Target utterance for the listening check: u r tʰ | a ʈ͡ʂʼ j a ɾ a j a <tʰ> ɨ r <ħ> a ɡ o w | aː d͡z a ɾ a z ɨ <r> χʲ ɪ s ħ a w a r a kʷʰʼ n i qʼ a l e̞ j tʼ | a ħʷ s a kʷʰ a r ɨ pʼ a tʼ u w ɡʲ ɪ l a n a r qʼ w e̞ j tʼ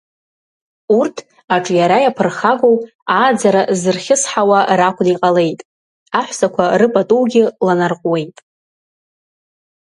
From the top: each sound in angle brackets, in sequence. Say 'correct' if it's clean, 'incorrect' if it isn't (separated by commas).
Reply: incorrect, incorrect, correct